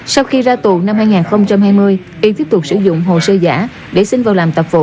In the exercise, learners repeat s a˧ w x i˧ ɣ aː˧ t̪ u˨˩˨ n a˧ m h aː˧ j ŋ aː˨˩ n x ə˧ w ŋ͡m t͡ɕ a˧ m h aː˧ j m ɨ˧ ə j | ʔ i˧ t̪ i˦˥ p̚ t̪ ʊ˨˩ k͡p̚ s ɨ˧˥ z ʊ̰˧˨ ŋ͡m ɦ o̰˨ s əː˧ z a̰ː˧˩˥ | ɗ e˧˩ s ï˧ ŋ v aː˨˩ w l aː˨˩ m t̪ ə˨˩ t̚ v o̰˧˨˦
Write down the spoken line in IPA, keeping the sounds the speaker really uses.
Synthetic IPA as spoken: s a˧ w x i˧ z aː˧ t̪ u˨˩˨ n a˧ m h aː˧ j ŋ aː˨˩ n x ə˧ w ŋ͡m t͡ɕ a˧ m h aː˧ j m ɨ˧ ə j | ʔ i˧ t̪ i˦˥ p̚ t̪ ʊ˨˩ k͡p̚ s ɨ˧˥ z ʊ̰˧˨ ŋ͡m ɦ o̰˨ s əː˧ z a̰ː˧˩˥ | ɗ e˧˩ s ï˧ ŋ v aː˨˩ w l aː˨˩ m t̪ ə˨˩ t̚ v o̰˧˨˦